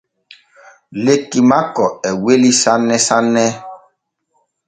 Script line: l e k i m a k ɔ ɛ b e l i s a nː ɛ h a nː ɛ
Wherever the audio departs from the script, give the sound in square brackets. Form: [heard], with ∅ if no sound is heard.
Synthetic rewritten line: l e k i m a k ɔ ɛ [w] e l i s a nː ɛ [s] a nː ɛ